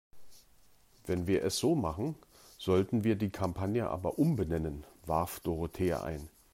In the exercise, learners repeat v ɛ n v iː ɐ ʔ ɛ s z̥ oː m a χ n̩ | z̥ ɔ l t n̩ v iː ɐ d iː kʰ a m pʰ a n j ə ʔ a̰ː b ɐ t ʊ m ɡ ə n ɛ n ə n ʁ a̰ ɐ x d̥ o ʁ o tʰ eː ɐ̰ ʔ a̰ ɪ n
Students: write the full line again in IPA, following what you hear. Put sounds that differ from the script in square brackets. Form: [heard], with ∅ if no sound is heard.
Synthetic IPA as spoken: v ɛ n v iː ɐ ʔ ɛ s z̥ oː m a χ n̩ | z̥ ɔ l t n̩ v iː ɐ d iː kʰ a m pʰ a n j ə ʔ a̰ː b ɐ [ʔ] ʊ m [b] ə n ɛ n ə n [v] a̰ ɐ [f] d̥ o ʁ o tʰ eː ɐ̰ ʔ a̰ ɪ n

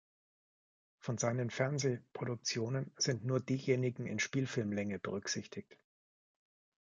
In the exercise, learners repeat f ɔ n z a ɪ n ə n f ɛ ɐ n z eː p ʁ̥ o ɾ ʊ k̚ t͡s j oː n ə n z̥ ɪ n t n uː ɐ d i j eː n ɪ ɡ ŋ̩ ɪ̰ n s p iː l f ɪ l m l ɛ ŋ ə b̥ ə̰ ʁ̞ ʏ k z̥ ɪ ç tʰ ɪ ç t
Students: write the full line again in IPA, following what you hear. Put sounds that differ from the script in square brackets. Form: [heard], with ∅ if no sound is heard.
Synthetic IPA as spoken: f ɔ n z a ɪ n ə n f ɛ ɐ n z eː p ʁ̥ o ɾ ʊ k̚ t͡s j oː n ə n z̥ ɪ n t n uː ɐ d [iː] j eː n ɪ ɡ ŋ̩ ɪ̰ n [ʃ] p iː l f ɪ l m l ɛ ŋ ə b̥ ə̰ ʁ̞ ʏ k z̥ ɪ ç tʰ ɪ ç t

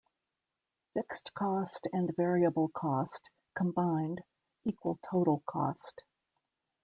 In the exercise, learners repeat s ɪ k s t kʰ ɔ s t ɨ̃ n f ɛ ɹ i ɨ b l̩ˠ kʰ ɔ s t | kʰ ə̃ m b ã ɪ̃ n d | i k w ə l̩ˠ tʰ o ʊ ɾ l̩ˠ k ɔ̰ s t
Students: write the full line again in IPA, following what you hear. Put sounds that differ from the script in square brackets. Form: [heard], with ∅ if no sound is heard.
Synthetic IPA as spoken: [f] ɪ k s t kʰ ɔ s t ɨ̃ n [v] ɛ ɹ i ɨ b l̩ˠ kʰ ɔ s t | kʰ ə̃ m b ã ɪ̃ n d | i k w ə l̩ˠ tʰ o ʊ ɾ l̩ˠ [kʰ] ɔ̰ s t

